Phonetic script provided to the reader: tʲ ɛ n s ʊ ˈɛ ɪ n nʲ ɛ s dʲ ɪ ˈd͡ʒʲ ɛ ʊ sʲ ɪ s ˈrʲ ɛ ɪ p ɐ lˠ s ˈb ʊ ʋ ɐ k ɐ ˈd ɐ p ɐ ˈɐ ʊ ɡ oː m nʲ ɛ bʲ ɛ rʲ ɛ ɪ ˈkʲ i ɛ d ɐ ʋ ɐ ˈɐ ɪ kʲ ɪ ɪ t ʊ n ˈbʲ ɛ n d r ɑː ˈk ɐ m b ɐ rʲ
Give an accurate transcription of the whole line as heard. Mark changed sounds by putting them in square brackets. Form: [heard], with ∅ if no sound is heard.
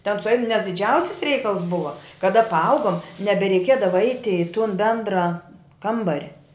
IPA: tʲ ɛ n s ʊ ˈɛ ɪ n nʲ ɛ s dʲ ɪ ˈd͡ʒʲ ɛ ʊ sʲ ɪ s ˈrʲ ɛ ɪ [k] ɐ lˠ s ˈb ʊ ʋ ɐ k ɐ ˈd ɐ p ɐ ˈɐ ʊ ɡ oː m nʲ ɛ bʲ ɛ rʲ ɛ ɪ ˈkʲ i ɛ d ɐ ʋ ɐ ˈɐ ɪ [tʲ] ɪ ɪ t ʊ n ˈbʲ ɛ n d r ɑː ˈk ɐ m b ɐ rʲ